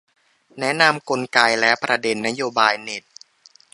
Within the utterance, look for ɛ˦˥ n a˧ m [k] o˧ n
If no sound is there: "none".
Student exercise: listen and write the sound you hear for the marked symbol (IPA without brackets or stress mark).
k